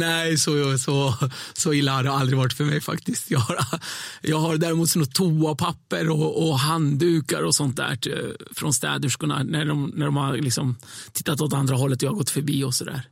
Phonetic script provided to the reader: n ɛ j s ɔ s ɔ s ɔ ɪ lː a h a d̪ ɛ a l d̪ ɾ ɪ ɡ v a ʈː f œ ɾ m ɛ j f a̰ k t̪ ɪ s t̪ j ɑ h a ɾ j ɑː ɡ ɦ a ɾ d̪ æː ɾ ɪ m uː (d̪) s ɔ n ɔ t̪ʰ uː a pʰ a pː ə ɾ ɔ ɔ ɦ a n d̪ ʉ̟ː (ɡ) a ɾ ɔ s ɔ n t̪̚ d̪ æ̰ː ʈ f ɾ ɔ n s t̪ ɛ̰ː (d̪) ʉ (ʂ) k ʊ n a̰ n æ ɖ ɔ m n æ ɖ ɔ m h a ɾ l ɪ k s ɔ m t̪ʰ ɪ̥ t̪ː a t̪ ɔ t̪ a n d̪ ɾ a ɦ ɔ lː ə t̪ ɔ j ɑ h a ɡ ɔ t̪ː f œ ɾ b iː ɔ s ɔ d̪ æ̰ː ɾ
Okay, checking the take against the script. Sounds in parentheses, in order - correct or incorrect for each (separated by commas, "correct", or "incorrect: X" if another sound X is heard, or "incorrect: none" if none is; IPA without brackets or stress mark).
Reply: incorrect: t̪, incorrect: k, correct, correct